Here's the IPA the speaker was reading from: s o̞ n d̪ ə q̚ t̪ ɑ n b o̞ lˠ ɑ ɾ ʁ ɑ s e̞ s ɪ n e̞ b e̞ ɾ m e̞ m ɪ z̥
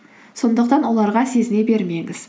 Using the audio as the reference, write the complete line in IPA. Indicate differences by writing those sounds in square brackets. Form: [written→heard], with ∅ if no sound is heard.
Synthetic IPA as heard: s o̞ n d̪ ə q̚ t̪ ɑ n [b→w] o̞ lˠ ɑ ɾ ʁ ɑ s e̞ [s→z] ɪ n e̞ b e̞ ɾ m e̞ [m→ŋ] ɪ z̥